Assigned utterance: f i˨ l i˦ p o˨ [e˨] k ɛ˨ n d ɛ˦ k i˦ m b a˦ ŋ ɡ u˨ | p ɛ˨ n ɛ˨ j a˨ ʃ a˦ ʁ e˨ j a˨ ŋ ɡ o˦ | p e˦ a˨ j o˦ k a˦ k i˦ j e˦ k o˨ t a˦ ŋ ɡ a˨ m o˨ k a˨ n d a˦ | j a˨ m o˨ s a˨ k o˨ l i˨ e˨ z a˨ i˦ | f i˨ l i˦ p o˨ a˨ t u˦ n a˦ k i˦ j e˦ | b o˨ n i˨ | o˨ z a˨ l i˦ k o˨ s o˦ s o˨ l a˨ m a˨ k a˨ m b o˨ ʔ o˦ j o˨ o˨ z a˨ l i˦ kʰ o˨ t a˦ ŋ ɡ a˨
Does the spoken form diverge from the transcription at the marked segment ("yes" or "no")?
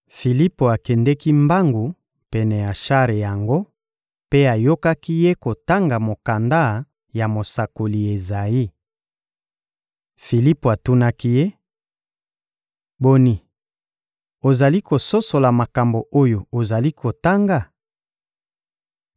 yes